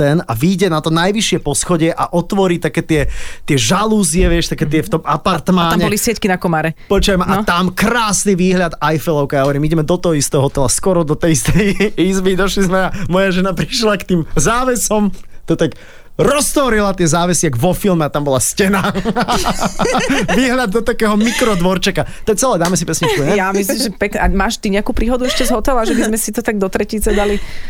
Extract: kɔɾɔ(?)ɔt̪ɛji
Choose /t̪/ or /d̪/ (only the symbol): d̪